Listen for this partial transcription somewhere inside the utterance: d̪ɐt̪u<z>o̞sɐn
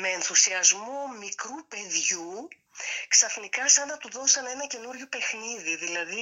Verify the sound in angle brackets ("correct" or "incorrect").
incorrect